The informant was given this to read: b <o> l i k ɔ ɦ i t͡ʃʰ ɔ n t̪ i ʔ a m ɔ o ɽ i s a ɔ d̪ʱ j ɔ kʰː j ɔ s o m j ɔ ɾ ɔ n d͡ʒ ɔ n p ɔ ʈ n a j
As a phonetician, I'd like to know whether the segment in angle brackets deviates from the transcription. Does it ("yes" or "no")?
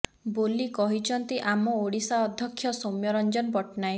no